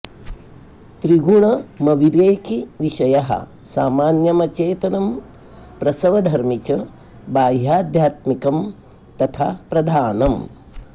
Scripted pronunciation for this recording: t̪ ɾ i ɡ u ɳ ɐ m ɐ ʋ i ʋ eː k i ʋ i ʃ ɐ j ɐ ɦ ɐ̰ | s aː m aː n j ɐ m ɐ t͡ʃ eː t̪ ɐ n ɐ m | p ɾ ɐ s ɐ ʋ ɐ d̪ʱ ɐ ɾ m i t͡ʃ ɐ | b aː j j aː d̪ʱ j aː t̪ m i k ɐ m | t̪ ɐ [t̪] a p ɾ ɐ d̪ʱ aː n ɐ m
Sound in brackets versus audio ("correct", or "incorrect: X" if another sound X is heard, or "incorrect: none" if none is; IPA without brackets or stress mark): incorrect: t̪ʰ